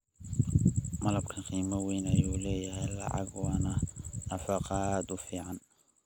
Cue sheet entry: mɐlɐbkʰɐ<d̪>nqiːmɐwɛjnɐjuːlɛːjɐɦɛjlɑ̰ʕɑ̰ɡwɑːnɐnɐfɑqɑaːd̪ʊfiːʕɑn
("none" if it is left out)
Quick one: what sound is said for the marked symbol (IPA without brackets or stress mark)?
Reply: none